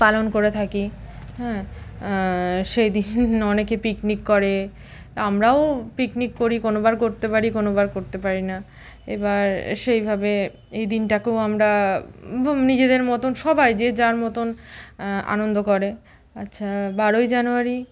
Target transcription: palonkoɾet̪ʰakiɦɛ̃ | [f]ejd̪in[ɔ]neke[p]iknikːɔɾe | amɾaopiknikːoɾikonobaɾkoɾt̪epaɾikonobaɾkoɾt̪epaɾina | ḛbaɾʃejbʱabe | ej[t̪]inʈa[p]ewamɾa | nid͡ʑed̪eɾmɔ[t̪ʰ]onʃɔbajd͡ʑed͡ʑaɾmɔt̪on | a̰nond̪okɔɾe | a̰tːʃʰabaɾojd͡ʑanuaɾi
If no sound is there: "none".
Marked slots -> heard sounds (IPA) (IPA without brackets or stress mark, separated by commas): ʃ, ɔ, p, d̪, k, t̪